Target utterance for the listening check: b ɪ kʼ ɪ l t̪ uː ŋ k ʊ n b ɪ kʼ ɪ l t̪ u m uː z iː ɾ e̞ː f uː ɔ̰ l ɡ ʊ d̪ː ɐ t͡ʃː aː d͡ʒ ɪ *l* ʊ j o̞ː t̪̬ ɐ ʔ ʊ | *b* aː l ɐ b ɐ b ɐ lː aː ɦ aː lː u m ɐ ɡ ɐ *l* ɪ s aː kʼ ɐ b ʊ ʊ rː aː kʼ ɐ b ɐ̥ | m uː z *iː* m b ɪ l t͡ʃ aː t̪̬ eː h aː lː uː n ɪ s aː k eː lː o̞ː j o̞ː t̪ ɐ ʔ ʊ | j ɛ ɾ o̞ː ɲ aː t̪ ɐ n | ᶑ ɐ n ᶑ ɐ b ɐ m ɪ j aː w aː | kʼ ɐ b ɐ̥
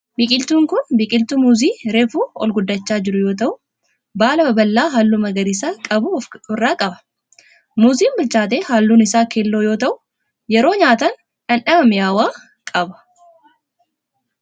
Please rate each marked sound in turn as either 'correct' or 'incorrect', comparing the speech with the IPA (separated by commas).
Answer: incorrect, correct, incorrect, correct